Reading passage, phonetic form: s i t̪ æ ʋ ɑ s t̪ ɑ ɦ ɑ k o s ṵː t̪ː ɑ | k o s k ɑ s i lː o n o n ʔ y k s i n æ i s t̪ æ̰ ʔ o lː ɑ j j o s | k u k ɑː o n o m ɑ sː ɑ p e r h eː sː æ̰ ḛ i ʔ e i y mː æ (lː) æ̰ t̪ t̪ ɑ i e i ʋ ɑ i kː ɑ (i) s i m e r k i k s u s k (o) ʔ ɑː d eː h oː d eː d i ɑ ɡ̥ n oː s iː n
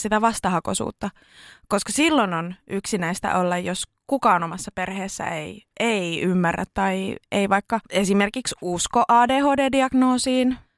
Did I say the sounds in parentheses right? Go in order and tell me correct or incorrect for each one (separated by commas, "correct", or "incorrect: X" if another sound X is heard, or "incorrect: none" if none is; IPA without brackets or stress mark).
incorrect: rː, incorrect: e, correct